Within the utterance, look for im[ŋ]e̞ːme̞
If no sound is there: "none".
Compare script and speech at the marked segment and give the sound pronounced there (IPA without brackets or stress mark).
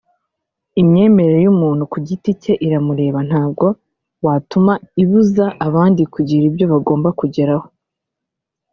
ɲ